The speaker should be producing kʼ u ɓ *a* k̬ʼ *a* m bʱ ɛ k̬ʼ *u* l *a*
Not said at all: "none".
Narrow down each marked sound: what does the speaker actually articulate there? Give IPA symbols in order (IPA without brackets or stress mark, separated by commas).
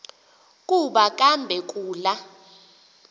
a, a, uː, a